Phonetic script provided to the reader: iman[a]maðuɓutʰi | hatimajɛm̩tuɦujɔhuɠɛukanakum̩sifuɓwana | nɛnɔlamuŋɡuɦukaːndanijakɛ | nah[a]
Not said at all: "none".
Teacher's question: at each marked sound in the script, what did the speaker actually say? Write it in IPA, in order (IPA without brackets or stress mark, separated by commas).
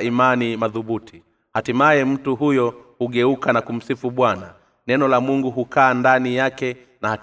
i, a